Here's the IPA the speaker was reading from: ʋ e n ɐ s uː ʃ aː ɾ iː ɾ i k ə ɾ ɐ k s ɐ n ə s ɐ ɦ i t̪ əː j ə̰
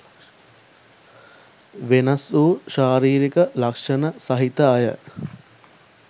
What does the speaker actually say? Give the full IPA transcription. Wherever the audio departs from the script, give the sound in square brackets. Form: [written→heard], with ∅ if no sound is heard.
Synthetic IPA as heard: ʋ e n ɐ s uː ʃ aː ɾ iː ɾ i k ə [ɾ→l] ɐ k [s→ʂ] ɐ n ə s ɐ ɦ i t̪ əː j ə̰